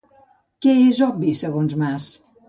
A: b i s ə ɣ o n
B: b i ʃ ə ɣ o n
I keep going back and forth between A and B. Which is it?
A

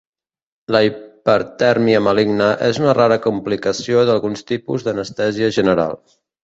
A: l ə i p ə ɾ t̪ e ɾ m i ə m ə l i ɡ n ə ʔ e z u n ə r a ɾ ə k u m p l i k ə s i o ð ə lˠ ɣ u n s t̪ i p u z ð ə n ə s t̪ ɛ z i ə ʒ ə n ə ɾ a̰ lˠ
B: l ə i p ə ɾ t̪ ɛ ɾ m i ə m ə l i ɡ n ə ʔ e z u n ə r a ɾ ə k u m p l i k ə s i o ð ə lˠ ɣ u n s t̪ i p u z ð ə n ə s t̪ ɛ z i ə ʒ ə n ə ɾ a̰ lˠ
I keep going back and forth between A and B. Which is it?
B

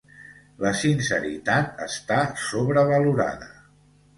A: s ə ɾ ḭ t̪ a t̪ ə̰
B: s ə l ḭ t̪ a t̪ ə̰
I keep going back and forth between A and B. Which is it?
A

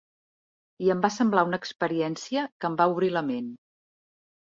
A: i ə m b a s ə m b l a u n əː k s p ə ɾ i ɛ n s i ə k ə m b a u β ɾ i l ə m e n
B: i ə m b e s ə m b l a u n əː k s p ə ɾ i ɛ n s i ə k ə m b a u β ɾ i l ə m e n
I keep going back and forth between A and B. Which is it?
A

